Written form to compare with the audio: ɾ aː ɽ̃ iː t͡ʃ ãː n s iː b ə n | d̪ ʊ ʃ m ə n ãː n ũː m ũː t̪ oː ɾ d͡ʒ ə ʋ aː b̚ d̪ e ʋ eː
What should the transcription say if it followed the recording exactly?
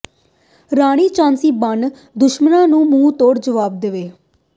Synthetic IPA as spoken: ɾ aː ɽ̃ iː t͡ʃ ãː n s iː b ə n | d̪ ʊ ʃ m ə n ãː n ũː m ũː t̪ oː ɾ d͡ʒ ə ʋ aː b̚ d̪ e ʋ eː